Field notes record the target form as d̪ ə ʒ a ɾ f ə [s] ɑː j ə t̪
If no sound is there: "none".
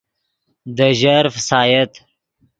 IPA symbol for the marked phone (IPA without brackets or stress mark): s